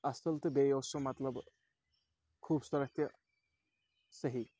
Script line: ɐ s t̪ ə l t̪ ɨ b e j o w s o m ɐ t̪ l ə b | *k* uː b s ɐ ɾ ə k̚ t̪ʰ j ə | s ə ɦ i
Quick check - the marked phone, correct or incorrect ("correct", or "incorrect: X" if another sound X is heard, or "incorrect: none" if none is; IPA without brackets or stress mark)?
incorrect: kʰ